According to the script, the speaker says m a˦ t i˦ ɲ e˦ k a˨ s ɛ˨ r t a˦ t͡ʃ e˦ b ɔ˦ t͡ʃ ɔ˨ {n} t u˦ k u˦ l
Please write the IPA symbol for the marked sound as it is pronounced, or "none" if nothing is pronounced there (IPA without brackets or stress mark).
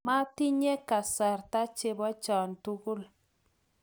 n